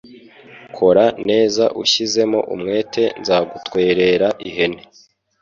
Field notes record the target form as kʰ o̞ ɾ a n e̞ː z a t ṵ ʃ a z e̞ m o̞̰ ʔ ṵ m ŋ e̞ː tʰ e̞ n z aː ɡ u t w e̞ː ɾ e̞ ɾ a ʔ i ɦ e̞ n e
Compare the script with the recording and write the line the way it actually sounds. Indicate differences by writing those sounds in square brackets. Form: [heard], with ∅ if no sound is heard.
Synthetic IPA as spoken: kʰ o̞ ɾ a n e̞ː z a [ʔ] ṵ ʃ [i] z e̞ m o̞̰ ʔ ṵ m ŋ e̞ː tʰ e̞ n z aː ɡ u t w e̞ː ɾ e̞ ɾ a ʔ i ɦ e̞ n e